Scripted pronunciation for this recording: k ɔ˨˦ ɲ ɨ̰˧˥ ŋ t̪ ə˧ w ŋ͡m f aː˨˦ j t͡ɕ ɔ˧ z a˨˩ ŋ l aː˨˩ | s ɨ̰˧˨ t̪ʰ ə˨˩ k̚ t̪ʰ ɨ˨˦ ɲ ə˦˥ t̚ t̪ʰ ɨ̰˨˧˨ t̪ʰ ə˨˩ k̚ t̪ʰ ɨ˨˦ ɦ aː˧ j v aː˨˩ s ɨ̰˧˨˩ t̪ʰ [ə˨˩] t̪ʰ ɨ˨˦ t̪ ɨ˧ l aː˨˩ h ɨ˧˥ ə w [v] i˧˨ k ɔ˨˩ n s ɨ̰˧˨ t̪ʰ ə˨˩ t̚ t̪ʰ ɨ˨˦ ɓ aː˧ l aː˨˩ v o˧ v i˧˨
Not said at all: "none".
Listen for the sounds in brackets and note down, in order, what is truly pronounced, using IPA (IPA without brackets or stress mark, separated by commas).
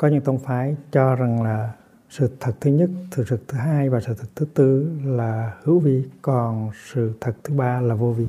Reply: ə˨˩, v